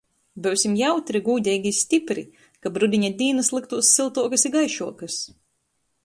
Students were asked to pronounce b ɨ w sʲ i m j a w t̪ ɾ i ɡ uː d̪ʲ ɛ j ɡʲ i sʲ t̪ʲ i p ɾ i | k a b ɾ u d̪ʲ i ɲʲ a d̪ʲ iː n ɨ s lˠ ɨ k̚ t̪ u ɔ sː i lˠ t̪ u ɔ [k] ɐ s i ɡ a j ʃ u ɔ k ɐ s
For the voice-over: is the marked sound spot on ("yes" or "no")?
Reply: yes